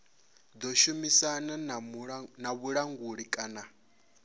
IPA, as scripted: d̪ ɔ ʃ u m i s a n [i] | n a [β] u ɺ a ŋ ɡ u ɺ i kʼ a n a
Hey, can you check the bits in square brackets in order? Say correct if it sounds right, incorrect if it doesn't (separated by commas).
incorrect, correct